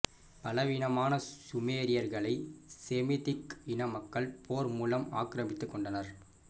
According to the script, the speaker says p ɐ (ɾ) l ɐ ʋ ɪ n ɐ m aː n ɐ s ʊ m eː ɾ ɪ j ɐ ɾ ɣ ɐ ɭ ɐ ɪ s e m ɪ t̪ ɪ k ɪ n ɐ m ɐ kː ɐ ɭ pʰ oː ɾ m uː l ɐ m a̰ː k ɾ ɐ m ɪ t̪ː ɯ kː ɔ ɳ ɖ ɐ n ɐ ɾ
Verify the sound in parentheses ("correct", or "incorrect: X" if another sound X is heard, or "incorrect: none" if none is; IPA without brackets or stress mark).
incorrect: none